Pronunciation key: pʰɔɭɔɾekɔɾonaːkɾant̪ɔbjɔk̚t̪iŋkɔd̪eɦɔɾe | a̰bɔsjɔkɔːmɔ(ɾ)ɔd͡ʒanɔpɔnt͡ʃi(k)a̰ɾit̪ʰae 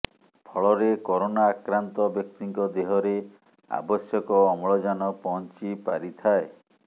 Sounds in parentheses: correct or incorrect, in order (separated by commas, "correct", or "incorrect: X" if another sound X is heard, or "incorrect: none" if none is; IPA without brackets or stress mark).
incorrect: ɭ, incorrect: p